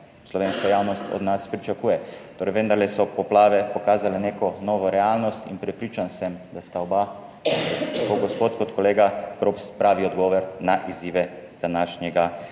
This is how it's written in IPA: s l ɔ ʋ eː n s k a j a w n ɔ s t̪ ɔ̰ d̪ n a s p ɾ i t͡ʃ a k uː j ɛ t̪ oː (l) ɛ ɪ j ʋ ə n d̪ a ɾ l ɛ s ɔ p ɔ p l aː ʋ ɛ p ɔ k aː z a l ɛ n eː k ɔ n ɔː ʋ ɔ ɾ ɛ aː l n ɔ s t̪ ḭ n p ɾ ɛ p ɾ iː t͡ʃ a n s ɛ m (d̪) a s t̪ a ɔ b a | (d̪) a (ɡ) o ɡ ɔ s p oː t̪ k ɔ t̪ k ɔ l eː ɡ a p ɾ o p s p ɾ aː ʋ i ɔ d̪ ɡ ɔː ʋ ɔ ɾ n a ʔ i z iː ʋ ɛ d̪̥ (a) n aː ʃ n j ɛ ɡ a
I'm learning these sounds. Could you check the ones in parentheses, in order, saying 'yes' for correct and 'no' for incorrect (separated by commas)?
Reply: no, yes, no, no, yes